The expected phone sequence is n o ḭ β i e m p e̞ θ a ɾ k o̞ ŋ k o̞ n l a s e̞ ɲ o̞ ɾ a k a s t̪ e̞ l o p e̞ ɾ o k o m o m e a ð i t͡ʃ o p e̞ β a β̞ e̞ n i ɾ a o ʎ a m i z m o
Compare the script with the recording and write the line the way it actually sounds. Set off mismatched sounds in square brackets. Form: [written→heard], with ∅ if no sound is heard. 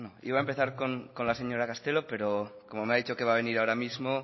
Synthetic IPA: n o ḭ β [i→a] e m p e̞ θ a ɾ k o̞ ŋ k o̞ n l a s e̞ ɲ o̞ ɾ a k a s t̪ e̞ l o p e̞ ɾ o k o m o m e a ð i t͡ʃ o [p→k] e̞ β a β̞ e̞ n i ɾ a o [ʎ→ɾ] a m i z m o